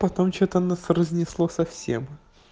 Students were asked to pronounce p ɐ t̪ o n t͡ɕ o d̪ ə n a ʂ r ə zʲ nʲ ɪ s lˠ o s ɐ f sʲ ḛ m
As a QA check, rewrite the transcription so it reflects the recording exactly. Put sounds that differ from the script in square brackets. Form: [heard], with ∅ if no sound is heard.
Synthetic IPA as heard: p ɐ t̪ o [m] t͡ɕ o [t̪] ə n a [s] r ə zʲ nʲ ɪ s lˠ o s ɐ f sʲ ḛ m